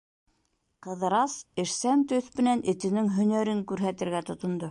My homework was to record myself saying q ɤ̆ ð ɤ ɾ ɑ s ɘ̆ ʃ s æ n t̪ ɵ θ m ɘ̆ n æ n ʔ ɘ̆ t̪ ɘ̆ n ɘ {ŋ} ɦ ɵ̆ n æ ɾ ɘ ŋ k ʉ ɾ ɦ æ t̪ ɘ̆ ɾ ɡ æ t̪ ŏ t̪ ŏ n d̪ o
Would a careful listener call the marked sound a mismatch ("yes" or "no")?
no